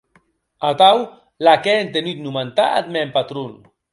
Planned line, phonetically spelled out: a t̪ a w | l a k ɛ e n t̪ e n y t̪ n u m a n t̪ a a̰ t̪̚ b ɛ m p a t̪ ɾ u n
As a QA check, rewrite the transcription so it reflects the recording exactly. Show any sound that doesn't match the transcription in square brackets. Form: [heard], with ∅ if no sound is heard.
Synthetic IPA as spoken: a t̪ a w | l a k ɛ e n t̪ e n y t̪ n u m a n t̪ a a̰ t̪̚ [m] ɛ m p a t̪ ɾ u n